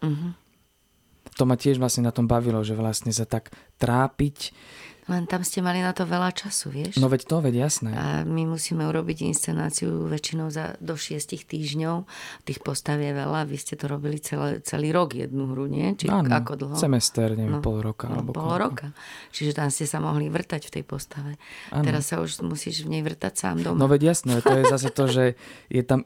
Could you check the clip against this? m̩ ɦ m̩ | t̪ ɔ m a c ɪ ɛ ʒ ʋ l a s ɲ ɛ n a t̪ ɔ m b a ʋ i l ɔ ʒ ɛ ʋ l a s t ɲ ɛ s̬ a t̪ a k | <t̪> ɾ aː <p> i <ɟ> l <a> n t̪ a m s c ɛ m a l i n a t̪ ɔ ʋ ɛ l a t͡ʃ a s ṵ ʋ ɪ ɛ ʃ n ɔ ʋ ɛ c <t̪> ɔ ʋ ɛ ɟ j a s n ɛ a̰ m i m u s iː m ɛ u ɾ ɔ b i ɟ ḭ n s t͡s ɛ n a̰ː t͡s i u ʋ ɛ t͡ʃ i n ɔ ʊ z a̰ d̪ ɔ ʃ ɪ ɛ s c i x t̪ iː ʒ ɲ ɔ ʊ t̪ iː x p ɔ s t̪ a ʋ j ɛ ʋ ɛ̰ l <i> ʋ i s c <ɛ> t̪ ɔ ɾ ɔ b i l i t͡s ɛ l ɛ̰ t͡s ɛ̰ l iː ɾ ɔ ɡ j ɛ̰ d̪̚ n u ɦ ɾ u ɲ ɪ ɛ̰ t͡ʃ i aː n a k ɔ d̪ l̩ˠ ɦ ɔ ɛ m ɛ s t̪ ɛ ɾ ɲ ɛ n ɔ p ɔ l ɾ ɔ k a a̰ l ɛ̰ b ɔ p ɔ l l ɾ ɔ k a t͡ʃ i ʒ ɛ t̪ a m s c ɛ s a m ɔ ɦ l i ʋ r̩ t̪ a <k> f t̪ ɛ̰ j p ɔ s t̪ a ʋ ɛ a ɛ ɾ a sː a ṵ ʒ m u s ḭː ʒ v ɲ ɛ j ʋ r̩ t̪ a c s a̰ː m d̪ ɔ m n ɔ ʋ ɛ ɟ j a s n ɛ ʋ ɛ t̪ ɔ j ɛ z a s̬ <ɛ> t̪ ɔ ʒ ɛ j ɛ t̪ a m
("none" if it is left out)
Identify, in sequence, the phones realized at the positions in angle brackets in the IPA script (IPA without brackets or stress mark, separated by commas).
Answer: t̪, p, c, ɛ, t̪, a, ɛ, c, ɛ